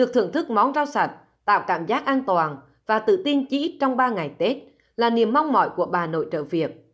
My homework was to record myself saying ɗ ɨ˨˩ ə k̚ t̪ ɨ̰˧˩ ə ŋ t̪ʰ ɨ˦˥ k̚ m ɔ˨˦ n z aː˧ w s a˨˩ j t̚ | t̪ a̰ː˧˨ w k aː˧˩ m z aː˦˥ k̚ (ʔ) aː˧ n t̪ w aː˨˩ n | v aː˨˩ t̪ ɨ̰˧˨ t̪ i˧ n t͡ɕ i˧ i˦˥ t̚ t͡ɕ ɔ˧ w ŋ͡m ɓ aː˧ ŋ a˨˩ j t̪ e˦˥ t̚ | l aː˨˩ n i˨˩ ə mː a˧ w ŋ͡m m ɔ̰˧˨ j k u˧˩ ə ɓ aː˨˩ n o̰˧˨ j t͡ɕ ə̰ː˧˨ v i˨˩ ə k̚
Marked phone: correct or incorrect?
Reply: correct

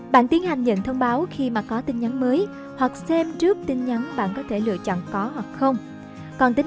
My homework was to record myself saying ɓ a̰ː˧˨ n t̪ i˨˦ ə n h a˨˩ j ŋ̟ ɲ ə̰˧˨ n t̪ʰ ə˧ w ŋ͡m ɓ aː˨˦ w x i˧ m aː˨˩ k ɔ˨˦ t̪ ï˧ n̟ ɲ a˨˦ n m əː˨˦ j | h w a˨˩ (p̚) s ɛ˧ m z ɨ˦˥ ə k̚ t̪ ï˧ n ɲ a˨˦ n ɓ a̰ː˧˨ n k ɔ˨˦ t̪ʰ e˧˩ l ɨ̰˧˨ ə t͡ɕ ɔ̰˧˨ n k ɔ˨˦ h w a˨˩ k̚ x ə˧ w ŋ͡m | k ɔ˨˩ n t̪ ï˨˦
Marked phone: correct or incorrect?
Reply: incorrect: k̚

